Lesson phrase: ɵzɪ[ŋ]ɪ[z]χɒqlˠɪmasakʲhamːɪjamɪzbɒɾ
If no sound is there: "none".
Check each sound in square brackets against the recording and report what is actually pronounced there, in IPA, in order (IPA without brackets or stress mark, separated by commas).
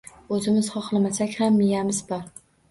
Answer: m, z